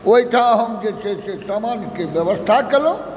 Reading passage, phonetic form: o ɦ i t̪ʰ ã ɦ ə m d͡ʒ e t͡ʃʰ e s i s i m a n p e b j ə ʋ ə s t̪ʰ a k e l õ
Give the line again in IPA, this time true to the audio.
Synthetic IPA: o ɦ i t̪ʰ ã ɦ ə m d͡ʒ e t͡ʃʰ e s e s a m a n k e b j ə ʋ ə s t̪ʰ a k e l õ